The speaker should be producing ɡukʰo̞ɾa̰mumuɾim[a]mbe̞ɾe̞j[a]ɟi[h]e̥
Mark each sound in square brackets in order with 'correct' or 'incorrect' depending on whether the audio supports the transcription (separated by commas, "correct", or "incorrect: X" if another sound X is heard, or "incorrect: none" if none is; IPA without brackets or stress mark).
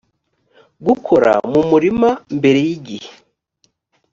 correct, incorrect: i, correct